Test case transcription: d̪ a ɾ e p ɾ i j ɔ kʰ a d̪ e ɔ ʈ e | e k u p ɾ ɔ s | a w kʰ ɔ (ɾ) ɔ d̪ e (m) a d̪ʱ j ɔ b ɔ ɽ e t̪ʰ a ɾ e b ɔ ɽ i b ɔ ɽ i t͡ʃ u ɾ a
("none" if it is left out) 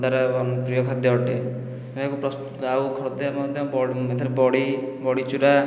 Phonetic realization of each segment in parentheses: ɾ, m

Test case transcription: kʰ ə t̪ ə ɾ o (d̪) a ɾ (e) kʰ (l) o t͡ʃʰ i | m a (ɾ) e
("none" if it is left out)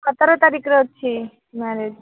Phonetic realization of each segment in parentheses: t̪, i, ɾ, ɾ

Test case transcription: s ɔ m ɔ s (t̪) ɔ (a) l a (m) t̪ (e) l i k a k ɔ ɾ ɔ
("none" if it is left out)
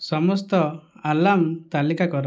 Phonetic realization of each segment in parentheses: t̪, a, m, a

